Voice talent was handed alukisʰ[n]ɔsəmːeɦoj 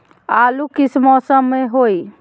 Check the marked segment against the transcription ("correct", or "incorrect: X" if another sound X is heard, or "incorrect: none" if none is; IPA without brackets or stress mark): incorrect: m